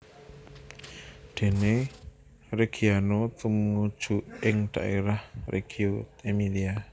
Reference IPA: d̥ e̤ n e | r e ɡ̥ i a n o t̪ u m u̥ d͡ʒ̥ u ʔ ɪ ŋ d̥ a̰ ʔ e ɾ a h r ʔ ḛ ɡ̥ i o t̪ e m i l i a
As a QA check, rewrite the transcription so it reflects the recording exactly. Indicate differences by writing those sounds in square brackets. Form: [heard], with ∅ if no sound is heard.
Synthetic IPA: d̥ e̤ n e | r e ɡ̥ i a n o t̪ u m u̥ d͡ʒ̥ u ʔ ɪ ŋ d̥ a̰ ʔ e ɾ a h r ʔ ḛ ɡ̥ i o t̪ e m i l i a